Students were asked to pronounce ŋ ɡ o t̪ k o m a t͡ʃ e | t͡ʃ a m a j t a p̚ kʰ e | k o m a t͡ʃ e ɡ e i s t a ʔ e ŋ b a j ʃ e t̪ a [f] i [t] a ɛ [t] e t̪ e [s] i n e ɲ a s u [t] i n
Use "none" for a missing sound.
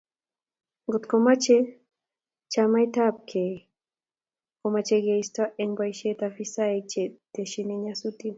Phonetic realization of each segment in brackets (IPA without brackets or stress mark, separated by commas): f, s, t͡ʃ, ʃ, t